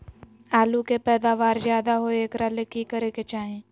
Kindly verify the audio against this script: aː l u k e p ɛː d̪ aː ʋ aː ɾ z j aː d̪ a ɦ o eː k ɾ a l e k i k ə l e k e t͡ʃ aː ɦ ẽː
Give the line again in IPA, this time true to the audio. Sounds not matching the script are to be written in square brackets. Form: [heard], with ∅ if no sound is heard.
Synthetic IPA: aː l u k e p ɛː d̪ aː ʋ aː ɾ z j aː d̪ a ɦ o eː k ɾ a l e k i k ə [ɾ] e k e t͡ʃ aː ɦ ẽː